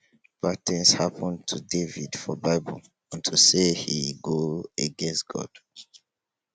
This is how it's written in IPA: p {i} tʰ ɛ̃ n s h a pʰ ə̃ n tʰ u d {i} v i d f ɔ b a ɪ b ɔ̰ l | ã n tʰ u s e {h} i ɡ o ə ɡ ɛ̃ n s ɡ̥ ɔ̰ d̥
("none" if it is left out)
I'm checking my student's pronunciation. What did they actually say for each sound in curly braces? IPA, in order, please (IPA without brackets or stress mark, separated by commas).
a, e, h